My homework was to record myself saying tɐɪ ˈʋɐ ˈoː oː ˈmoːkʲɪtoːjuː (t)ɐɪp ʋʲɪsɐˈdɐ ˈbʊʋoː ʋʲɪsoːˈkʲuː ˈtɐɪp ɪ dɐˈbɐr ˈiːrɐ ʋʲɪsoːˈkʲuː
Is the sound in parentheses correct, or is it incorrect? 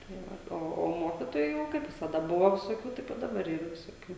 incorrect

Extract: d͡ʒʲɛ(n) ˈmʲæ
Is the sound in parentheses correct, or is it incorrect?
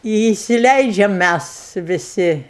incorrect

